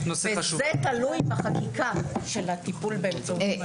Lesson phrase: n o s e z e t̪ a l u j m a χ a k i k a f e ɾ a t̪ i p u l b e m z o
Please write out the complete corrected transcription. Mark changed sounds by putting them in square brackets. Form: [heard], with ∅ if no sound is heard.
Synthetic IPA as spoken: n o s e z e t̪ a l u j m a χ a k i k a [ʃ] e [l] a t̪ i p u l b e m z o